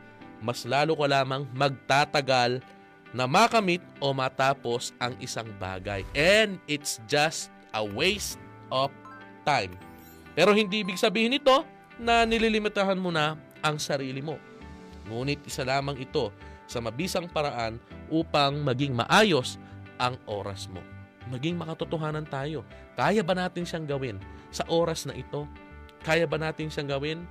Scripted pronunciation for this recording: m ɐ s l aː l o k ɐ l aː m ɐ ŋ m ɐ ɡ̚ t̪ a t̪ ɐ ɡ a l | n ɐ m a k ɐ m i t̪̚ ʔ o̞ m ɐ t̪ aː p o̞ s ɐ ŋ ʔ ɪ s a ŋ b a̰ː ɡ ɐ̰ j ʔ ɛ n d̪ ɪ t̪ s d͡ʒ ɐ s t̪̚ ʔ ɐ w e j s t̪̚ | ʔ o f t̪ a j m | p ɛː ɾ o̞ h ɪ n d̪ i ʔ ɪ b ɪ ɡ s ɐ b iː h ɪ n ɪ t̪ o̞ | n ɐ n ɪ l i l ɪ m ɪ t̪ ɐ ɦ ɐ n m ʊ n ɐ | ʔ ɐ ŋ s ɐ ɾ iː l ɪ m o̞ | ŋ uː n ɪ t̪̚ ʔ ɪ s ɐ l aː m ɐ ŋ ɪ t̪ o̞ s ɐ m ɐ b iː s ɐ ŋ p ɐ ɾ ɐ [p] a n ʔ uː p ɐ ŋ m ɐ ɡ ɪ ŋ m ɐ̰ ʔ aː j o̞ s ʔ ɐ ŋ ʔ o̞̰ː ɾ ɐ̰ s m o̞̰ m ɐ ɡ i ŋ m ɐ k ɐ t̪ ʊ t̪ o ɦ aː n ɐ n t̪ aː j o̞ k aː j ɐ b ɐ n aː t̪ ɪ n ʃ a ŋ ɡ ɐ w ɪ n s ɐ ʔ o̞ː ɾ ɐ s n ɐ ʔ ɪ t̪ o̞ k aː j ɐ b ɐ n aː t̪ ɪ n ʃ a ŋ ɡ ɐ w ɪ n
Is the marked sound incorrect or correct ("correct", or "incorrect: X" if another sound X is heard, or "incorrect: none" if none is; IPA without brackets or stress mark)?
incorrect: ʔ